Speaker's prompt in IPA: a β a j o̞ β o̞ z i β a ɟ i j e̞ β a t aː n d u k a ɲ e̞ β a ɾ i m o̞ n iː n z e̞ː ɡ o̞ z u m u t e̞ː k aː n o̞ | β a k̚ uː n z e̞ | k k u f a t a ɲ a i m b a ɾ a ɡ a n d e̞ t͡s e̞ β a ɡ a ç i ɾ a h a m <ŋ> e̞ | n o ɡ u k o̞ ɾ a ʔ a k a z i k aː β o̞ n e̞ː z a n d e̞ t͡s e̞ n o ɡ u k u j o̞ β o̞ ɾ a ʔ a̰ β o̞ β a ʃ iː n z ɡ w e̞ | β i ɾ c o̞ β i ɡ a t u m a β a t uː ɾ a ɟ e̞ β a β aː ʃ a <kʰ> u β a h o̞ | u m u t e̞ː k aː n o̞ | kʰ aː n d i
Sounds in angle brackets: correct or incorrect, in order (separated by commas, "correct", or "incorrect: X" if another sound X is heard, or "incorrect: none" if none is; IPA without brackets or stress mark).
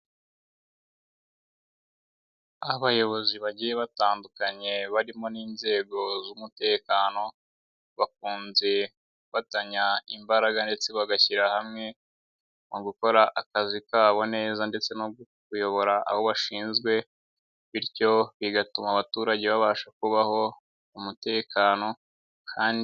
correct, incorrect: k